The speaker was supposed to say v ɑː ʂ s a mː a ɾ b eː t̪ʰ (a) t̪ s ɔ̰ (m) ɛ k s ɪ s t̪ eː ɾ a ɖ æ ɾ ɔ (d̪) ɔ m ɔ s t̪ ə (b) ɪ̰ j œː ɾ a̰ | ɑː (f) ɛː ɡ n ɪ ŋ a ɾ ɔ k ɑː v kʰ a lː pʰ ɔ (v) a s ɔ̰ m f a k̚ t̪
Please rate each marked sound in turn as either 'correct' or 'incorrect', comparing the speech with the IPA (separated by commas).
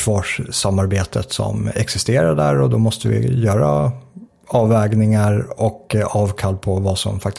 incorrect, correct, correct, incorrect, incorrect, correct